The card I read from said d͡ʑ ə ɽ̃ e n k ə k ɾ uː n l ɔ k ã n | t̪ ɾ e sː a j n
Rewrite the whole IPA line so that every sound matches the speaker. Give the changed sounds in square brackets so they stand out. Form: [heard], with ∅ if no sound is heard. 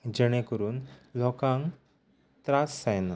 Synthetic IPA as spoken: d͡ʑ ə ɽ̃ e [∅] k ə [∅] ɾ uː n l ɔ k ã [ŋ] | t̪ ɾ [a] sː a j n